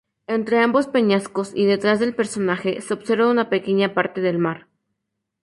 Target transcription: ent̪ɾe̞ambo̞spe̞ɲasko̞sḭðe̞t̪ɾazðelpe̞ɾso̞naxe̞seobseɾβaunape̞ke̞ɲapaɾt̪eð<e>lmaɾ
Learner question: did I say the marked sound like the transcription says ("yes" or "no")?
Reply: yes